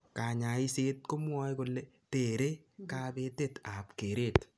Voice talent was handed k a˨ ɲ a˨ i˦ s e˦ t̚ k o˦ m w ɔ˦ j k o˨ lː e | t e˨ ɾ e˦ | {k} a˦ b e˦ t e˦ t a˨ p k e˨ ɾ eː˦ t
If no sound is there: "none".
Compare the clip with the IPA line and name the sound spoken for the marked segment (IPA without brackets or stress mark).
k